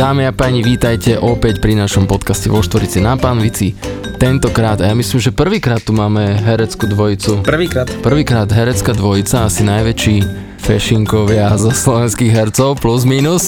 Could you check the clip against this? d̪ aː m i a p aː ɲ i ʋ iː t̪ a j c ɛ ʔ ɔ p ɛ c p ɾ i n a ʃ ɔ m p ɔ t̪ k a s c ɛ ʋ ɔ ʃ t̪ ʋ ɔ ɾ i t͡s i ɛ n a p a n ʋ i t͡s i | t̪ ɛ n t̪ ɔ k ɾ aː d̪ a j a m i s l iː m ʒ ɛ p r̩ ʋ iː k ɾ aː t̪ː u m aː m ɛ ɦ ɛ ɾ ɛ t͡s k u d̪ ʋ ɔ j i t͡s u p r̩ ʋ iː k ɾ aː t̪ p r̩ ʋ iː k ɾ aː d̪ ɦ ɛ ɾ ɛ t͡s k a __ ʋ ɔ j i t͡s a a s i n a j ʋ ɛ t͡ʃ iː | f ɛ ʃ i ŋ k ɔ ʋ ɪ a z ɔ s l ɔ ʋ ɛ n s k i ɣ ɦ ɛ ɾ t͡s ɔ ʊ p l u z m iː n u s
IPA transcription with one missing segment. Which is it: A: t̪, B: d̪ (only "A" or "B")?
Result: B